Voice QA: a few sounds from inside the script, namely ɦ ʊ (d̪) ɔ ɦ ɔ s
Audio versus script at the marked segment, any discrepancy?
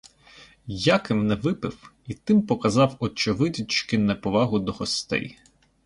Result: no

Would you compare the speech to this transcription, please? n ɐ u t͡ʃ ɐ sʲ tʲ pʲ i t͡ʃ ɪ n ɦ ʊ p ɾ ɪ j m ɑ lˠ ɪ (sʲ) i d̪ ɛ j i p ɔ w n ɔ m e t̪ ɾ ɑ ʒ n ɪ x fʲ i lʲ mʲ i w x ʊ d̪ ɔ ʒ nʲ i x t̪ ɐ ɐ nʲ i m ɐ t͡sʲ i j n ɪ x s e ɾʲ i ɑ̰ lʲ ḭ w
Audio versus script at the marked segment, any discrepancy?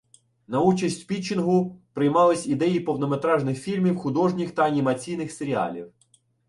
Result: no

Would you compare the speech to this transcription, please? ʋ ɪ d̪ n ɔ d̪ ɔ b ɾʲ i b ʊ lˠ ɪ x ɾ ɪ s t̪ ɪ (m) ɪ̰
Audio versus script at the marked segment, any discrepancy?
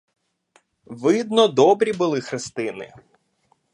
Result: yes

